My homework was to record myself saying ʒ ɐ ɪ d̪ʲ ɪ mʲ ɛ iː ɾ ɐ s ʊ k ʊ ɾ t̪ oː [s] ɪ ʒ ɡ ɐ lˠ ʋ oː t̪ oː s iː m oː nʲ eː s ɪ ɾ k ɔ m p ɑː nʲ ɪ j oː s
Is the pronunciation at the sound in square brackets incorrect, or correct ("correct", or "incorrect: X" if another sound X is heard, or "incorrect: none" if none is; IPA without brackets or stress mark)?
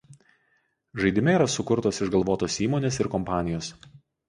correct